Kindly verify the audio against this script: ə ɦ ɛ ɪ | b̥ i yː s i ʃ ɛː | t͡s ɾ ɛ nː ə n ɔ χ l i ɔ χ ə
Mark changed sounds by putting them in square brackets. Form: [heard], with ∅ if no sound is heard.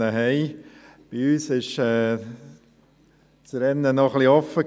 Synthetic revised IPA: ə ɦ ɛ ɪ | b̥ i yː s [ɪ] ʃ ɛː | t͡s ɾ ɛ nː ə n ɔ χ l i ɔ [f] ə